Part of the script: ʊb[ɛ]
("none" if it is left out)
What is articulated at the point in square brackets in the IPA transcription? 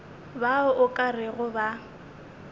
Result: a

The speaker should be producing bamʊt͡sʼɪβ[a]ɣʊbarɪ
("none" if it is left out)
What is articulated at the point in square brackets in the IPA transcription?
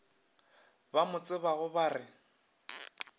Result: a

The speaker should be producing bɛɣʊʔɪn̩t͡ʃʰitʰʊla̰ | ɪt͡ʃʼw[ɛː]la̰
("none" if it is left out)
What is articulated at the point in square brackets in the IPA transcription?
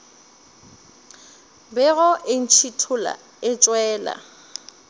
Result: ɛː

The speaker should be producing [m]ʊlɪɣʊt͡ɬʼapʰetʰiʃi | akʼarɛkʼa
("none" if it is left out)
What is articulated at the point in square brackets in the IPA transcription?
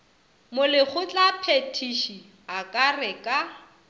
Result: m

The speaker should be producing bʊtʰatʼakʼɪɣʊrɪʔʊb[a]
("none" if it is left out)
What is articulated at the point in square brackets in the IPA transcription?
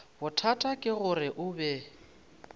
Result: ɛ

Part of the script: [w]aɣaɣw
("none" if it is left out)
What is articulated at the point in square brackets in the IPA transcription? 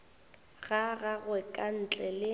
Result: ɣ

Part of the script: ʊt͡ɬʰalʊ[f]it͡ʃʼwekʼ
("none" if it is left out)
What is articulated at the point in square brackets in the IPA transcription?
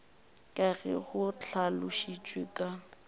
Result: ʃ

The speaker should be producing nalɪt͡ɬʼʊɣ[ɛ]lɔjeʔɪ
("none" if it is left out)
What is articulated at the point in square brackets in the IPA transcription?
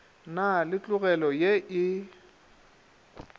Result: ɛ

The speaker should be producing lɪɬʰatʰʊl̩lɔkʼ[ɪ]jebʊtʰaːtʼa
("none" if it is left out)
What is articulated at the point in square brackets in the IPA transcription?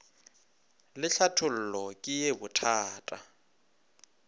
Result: ɪ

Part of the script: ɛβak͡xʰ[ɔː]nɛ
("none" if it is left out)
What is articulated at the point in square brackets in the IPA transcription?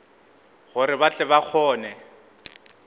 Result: ɔː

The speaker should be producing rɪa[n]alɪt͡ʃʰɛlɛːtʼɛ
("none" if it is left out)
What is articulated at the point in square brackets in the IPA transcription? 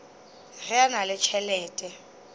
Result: n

